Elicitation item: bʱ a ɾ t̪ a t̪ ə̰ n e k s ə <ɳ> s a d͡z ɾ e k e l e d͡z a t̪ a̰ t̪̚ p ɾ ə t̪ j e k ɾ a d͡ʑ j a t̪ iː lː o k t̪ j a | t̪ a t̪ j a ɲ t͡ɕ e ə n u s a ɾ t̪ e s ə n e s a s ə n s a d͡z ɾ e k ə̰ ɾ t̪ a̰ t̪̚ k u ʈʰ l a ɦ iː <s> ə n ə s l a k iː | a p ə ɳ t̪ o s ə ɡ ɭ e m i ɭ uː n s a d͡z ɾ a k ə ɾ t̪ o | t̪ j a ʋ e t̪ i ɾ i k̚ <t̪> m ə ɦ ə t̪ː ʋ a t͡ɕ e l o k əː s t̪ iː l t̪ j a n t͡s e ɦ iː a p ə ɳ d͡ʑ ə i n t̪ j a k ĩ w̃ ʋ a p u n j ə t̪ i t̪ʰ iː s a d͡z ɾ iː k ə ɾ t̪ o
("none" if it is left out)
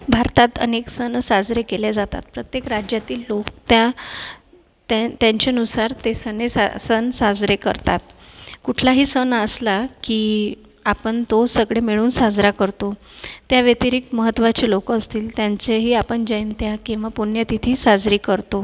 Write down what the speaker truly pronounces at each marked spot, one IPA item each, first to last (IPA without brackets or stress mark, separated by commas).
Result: n, s, t̪